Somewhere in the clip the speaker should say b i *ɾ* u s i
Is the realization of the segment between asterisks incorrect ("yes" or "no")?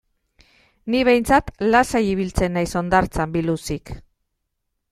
yes